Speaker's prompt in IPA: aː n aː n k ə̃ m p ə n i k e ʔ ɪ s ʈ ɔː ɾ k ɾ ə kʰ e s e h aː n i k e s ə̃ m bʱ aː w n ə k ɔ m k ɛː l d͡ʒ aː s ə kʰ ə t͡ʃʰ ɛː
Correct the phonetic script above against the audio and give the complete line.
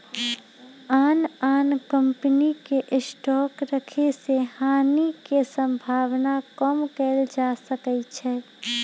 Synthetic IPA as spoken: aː n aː n k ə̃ m p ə n i k e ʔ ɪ s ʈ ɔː k ɾ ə kʰ e s e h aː n i k e s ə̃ m bʱ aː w n a k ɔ m k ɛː l d͡ʒ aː s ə k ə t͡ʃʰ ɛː